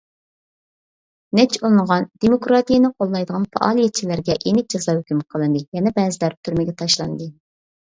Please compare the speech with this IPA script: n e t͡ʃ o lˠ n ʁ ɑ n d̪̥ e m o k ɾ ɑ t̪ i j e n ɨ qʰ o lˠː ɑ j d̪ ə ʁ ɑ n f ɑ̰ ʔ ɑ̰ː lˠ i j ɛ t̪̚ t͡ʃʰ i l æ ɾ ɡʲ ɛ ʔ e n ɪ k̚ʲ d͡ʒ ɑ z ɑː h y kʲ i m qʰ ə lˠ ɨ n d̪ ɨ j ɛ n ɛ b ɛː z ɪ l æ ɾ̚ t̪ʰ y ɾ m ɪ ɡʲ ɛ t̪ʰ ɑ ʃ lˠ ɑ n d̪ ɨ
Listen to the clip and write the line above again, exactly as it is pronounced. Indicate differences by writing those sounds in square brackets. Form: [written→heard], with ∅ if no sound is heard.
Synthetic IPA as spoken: n [e→ɛ] t͡ʃ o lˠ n ʁ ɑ n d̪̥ e m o k ɾ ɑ t̪ i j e n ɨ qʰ o lˠː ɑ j d̪ ə ʁ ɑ n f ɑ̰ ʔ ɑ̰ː lˠ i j ɛ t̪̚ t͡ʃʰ i l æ ɾ ɡʲ ɛ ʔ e n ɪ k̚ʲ d͡ʒ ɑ z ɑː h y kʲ [i→y] m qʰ ə lˠ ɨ n d̪ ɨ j ɛ n ɛ b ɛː z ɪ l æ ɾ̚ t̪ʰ y ɾ m ɪ ɡʲ ɛ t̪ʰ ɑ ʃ lˠ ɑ n d̪ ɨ